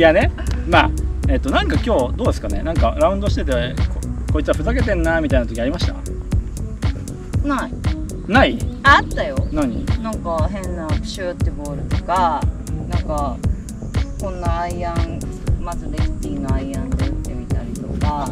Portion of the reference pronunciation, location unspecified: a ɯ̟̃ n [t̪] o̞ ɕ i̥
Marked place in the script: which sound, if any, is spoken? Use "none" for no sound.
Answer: d̪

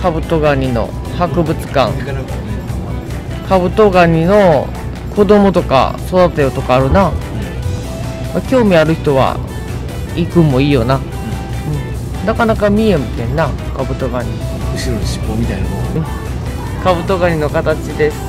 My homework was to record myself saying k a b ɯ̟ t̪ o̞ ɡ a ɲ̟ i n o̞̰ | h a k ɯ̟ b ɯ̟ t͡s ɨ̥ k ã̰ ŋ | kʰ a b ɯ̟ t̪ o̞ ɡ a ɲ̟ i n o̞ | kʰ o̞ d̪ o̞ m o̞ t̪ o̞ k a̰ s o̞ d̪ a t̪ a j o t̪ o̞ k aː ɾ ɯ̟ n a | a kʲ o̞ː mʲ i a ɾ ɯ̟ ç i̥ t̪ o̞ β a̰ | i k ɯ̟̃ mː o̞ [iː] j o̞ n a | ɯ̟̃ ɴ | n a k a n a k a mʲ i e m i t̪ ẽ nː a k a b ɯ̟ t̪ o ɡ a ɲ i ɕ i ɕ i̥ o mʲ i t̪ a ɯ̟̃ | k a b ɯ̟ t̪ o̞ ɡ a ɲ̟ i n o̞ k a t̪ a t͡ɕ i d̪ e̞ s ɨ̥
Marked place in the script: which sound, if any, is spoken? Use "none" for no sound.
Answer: iː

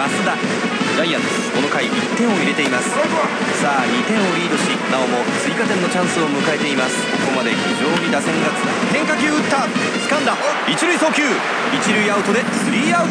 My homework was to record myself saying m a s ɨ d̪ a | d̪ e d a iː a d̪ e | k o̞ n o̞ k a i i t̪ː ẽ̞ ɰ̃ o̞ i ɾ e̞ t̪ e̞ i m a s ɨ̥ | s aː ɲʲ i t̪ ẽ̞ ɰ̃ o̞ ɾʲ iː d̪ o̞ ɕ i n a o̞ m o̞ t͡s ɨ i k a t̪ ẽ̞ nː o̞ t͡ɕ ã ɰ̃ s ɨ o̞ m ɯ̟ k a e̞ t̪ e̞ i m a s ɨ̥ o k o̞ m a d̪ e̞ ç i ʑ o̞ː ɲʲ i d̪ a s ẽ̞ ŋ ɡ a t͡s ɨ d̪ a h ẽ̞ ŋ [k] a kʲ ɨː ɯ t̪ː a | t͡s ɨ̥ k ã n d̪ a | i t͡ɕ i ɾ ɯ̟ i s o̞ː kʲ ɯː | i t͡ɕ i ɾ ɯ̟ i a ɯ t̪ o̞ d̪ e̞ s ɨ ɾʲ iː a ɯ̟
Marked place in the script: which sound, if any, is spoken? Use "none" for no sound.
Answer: k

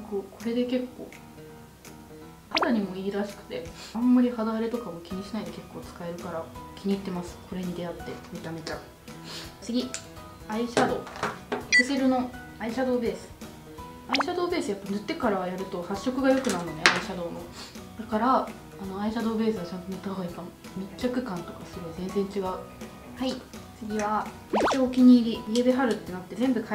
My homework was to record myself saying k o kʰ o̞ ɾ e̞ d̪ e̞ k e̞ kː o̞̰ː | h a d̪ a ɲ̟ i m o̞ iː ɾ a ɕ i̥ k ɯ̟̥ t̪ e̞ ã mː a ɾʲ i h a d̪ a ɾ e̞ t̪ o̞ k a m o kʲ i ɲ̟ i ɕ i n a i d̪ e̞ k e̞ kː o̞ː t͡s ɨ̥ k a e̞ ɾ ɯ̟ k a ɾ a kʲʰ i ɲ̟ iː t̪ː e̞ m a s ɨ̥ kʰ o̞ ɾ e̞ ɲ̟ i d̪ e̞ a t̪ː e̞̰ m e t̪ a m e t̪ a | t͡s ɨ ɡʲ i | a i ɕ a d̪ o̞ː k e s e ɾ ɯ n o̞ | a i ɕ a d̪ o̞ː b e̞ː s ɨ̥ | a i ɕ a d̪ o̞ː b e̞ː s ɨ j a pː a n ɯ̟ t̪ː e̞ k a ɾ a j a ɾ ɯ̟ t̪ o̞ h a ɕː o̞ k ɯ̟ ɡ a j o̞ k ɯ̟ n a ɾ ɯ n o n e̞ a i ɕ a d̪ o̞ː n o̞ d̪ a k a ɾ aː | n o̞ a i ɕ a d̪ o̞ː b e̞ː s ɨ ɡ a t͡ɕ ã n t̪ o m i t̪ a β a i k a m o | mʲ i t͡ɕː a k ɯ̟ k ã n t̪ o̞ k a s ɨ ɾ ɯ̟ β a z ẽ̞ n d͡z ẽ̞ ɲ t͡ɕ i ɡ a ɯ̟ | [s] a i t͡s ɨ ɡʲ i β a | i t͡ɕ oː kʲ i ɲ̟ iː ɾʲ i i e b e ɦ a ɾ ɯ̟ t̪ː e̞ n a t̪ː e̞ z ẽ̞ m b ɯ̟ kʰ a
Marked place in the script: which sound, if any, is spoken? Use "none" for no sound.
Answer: h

